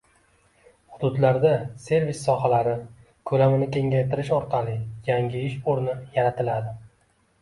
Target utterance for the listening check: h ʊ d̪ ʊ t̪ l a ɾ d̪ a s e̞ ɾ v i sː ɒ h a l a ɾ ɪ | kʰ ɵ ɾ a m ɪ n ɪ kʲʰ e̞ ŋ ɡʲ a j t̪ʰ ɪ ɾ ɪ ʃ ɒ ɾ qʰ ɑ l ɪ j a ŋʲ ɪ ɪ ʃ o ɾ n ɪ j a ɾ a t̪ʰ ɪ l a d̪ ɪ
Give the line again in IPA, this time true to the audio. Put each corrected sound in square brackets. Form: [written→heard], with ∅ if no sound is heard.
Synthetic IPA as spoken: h ʊ d̪ ʊ [t̪→d̪] l a ɾ d̪ a s e̞ ɾ v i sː ɒ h a l a ɾ ɪ | kʰ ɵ [ɾ→l] a m ɪ n ɪ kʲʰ e̞ ŋ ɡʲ a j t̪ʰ ɪ ɾ ɪ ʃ ɒ ɾ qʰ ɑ l ɪ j a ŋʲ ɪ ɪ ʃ o ɾ n ɪ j a ɾ a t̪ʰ ɪ l a d̪ ɪ

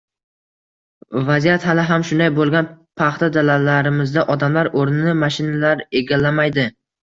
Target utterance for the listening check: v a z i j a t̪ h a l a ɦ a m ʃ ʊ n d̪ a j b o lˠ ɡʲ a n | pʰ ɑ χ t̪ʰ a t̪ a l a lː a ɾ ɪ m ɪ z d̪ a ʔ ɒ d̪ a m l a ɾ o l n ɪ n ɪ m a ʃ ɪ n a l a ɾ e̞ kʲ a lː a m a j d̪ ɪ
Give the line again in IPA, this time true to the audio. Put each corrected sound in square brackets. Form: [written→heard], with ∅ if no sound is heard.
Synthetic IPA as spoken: v a z i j a t̪ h a l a ɦ a m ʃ ʊ n d̪ a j b o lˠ ɡʲ a n | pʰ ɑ χ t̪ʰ a [t̪→d̪] a l a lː a ɾ ɪ m ɪ z d̪ a ʔ ɒ d̪ a m l a ɾ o [l→ɾ] n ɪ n ɪ m a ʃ ɪ n a l a ɾ e̞ [kʲ→ɡʲ] a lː a m a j d̪ ɪ

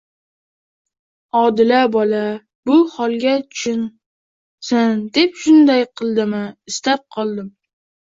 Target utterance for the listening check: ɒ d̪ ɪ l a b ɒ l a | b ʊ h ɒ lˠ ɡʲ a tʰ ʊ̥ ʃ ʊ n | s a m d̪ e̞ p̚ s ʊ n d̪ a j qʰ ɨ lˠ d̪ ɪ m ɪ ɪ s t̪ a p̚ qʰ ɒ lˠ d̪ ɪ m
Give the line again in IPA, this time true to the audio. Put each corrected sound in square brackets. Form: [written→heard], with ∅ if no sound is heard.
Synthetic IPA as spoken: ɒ d̪ ɪ l a b ɒ l a | b ʊ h ɒ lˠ ɡʲ a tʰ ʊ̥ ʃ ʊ n | s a [m→n] d̪ e̞ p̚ [s→ʃ] ʊ n d̪ a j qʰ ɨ lˠ d̪ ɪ m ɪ ɪ s t̪ a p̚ qʰ ɒ lˠ d̪ ɪ m

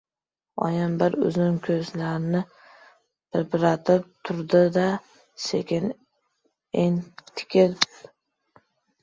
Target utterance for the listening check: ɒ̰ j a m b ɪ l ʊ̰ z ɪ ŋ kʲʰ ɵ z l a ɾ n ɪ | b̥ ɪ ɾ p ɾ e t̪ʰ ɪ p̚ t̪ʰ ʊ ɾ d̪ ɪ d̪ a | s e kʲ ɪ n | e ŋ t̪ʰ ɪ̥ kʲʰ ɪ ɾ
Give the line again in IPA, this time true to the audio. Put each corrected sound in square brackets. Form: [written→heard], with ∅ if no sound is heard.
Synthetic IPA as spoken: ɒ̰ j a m b ɪ [l→ɾ] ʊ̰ z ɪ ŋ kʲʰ ɵ z l a ɾ n ɪ | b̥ ɪ ɾ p ɾ [e→a] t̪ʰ ɪ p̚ t̪ʰ ʊ ɾ d̪ ɪ d̪ a | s e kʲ ɪ n | e ŋ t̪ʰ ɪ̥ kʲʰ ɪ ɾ

